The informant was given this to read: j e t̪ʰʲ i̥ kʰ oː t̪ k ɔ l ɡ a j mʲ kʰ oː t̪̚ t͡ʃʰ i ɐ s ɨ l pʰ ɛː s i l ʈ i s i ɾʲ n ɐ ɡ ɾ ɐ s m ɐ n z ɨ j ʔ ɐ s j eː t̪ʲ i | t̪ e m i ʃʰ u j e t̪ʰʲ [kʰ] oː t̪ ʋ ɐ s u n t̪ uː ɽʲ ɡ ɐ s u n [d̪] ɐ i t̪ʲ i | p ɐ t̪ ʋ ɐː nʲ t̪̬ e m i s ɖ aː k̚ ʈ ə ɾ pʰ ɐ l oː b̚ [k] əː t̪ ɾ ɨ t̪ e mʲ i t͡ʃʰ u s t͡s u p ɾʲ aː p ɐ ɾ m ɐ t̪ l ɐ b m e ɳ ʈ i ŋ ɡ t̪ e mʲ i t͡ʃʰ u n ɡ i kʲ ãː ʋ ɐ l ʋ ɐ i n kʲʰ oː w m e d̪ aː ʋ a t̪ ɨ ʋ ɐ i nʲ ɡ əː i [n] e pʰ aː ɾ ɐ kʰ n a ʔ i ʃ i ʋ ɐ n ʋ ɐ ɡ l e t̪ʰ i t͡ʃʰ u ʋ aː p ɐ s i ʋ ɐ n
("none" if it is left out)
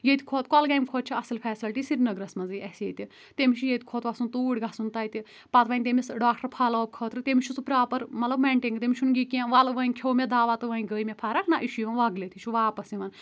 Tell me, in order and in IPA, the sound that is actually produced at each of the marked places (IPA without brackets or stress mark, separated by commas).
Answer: kʰ, t̪, kʰ, m